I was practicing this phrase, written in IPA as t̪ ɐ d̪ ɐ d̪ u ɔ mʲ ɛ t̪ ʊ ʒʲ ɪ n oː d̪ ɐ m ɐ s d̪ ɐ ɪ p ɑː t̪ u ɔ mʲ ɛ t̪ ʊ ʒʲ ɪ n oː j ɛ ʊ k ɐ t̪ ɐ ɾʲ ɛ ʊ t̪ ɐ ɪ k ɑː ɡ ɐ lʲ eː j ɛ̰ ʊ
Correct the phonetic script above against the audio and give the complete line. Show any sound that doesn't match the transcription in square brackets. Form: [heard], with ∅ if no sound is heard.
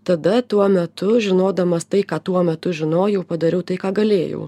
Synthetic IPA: t̪ ɐ d̪ ɐ [t̪] u ɔ mʲ ɛ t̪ ʊ ʒʲ ɪ n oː d̪ ɐ m ɐ s [t̪] ɐ ɪ [k] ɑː t̪ u ɔ mʲ ɛ t̪ ʊ ʒʲ ɪ n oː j ɛ ʊ [p] ɐ [d̪] ɐ ɾʲ ɛ ʊ t̪ ɐ ɪ k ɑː ɡ ɐ lʲ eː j ɛ̰ ʊ